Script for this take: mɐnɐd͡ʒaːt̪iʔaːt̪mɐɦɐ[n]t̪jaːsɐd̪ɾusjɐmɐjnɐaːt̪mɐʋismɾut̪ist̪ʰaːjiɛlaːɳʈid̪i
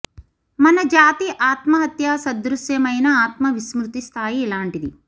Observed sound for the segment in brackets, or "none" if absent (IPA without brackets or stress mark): none